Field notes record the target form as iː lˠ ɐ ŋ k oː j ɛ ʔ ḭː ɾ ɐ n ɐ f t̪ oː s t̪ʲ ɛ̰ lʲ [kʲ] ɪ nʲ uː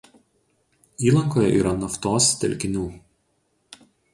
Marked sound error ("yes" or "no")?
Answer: no